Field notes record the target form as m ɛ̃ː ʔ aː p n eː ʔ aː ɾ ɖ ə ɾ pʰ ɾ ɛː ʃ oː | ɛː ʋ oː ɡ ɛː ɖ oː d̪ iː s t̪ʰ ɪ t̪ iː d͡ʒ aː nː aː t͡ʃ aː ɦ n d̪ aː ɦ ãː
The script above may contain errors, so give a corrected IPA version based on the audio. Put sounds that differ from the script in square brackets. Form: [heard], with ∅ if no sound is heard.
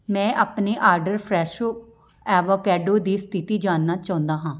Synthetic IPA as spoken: m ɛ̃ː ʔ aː p n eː ʔ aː ɾ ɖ ə ɾ pʰ ɾ ɛː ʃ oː | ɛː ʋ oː [k] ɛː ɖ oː d̪ iː s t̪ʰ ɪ t̪ iː d͡ʒ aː nː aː t͡ʃ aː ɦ n d̪ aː ɦ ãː

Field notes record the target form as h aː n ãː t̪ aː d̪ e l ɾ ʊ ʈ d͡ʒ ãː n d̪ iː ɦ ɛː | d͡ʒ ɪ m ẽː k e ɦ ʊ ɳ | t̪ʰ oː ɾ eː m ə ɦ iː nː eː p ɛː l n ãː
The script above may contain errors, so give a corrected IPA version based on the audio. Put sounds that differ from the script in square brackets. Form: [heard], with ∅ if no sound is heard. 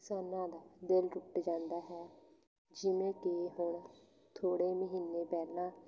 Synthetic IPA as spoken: [s] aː n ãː [d̪] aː d̪ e l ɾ ʊ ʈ d͡ʒ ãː n d̪ [aː] ɦ ɛː | d͡ʒ ɪ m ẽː k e ɦ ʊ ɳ | t̪ʰ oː [ɽ] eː m ə ɦ iː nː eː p ɛː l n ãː

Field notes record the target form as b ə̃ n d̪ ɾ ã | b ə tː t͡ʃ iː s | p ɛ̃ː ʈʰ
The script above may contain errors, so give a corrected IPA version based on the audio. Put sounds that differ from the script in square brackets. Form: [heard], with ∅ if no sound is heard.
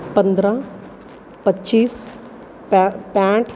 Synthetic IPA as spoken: [p] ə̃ n d̪ ɾ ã | [p] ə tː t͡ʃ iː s | p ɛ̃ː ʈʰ

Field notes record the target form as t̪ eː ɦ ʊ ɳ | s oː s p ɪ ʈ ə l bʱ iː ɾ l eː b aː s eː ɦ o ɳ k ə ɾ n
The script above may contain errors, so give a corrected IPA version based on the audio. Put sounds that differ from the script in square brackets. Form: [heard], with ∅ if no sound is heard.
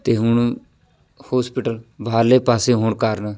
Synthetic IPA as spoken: t̪ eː ɦ ʊ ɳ | [h] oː s p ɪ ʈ ə l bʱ [aː] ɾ l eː [p] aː s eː ɦ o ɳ k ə ɾ n

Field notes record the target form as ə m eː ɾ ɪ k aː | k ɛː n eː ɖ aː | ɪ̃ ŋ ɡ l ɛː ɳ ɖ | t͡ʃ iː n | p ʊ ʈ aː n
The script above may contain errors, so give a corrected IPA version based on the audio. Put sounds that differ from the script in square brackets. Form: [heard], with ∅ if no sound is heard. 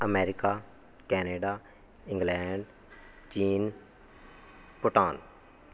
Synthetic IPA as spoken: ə m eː ɾ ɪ k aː | k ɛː n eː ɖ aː | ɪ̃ ŋ ɡ l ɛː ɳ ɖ | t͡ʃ iː n | p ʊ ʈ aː n

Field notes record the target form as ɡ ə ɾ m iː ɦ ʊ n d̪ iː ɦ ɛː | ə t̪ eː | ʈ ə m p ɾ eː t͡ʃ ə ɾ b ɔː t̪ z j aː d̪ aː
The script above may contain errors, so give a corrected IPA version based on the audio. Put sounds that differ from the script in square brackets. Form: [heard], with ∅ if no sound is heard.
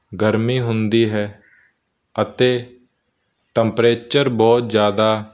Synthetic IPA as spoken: ɡ ə ɾ m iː ɦ ʊ n d̪ iː ɦ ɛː | ə t̪ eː | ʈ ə m p ɾ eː t͡ʃ ə ɾ b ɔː t̪ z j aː d̪ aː

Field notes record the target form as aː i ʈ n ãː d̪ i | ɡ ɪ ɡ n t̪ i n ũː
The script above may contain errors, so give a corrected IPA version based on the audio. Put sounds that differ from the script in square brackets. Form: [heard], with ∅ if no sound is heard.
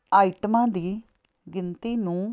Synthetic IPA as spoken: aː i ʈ [m] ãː d̪ [iː] | ɡ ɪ [∅] n t̪ [iː] n ũː

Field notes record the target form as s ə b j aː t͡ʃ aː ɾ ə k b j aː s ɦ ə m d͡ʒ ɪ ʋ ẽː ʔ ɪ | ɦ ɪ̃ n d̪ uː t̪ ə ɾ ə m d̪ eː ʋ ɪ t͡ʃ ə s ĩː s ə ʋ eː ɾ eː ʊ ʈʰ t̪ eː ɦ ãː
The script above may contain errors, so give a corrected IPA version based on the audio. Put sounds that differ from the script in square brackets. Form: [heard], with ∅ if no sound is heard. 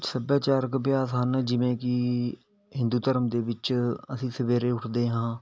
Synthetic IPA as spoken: s ə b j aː t͡ʃ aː ɾ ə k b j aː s ɦ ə [n] d͡ʒ ɪ ʋ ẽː [k] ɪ | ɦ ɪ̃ n d̪ uː t̪ ə ɾ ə m d̪ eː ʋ ɪ t͡ʃ ə s ĩː s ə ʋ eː ɾ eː ʊ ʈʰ [d̪] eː ɦ ãː

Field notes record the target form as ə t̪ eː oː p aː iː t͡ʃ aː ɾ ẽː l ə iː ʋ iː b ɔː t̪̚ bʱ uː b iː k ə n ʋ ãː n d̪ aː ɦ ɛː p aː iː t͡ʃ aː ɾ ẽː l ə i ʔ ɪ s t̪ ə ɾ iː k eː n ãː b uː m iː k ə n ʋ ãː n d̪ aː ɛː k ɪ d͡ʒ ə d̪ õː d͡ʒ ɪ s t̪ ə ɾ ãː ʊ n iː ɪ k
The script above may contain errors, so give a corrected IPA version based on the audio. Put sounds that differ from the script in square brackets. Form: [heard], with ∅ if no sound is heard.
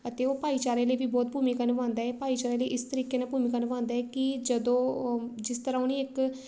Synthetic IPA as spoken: ə t̪ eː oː p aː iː t͡ʃ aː ɾ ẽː l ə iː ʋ iː b ɔː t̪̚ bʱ uː [m] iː k ə n ʋ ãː n d̪ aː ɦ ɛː p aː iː t͡ʃ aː ɾ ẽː l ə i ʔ ɪ s t̪ ə ɾ iː k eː n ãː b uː m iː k ə n ʋ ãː n d̪ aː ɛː k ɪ d͡ʒ ə d̪ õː d͡ʒ ɪ s t̪ ə ɾ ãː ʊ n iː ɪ k

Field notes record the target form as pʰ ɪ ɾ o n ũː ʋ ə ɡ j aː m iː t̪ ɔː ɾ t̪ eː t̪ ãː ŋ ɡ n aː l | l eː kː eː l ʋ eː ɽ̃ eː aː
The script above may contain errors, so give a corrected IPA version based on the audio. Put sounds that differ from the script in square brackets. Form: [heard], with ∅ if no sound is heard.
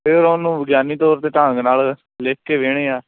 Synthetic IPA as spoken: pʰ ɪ ɾ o n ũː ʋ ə ɡ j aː [n] iː t̪ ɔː ɾ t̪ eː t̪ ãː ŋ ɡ n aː l | l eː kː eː [∅] ʋ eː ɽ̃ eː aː

